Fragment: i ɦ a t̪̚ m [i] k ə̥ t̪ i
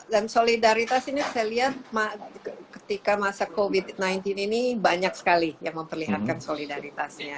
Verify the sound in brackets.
incorrect: a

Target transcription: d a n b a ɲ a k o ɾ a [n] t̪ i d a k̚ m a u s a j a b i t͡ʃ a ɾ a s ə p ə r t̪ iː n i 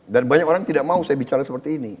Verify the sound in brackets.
incorrect: ŋ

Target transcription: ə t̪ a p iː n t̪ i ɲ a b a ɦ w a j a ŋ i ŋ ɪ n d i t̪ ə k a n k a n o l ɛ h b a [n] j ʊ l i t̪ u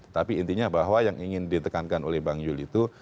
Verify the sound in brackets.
incorrect: ŋ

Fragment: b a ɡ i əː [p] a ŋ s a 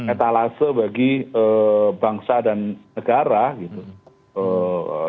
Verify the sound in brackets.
incorrect: b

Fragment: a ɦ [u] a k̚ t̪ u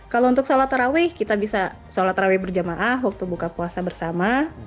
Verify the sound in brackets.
incorrect: w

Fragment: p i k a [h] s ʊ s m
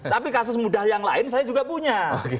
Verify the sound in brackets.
incorrect: none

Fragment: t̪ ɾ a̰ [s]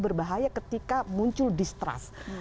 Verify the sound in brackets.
correct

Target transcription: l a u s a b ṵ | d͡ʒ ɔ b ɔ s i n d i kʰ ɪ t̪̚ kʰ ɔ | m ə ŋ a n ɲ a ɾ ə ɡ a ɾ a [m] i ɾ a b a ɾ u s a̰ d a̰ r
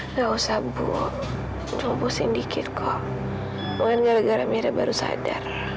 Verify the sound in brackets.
correct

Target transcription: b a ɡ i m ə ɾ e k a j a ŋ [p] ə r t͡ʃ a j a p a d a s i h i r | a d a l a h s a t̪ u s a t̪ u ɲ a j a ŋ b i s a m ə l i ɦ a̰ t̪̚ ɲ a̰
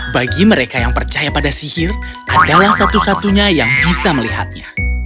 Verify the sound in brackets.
correct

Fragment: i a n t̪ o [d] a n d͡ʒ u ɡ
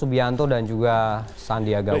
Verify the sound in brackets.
correct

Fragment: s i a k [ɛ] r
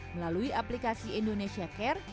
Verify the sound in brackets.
correct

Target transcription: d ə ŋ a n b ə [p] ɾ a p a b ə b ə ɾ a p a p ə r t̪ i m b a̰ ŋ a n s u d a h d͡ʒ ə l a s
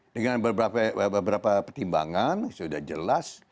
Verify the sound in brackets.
incorrect: b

